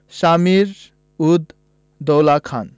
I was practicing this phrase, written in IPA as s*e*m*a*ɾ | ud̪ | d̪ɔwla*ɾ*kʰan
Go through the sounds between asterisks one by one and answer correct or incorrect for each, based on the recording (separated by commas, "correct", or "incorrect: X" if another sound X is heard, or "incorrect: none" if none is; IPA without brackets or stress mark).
incorrect: a, incorrect: i, incorrect: none